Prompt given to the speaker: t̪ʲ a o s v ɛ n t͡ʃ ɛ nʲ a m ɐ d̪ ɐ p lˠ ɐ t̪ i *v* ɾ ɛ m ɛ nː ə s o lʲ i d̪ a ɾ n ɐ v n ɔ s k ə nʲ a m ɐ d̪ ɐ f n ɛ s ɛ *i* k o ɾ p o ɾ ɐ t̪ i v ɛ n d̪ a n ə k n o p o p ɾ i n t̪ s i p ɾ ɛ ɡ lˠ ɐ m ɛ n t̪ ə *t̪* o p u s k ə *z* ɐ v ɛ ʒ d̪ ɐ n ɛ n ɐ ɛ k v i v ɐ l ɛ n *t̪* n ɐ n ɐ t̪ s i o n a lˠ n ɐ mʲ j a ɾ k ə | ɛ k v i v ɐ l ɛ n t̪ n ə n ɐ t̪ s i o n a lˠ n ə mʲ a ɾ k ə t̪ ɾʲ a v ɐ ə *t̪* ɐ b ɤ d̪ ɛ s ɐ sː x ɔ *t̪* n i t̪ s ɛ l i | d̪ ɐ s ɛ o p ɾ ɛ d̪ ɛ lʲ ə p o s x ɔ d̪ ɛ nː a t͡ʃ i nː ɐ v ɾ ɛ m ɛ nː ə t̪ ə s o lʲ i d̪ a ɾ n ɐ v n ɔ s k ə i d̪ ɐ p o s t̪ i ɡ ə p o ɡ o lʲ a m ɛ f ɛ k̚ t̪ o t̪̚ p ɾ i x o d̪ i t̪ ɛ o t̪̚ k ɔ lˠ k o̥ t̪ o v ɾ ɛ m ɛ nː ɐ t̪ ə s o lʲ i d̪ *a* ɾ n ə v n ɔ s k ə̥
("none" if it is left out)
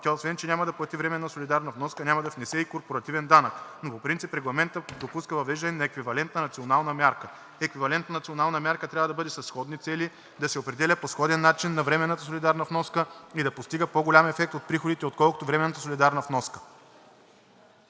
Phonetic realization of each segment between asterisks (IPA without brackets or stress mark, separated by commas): v, i, d̪, v, t̪, d̪, d̪, a